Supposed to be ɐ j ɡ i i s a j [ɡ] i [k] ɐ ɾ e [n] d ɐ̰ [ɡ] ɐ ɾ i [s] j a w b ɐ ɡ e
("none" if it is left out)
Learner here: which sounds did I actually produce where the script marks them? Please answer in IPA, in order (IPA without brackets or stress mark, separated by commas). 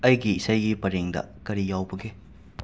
ɡ, p, ŋ, k, none